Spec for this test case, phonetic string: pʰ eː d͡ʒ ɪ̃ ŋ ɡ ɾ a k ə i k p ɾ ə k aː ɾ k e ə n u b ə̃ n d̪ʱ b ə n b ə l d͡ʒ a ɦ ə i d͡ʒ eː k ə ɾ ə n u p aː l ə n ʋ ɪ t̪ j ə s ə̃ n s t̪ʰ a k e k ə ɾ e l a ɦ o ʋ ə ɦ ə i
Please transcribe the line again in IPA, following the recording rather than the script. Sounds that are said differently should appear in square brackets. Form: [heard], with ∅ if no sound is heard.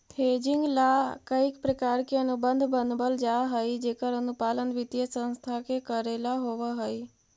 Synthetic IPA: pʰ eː d͡ʒ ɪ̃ ŋ ɡ [l] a k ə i k p ɾ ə k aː ɾ k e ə n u b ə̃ n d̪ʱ b ə n b ə l d͡ʒ a ɦ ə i d͡ʒ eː k ə ɾ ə n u p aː l ə n ʋ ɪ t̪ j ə s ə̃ n s t̪ʰ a k e k ə ɾ e l a ɦ o ʋ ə ɦ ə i